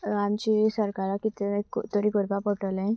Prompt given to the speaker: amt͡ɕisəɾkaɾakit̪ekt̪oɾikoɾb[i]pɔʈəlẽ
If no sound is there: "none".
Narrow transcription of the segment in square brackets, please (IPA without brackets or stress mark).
a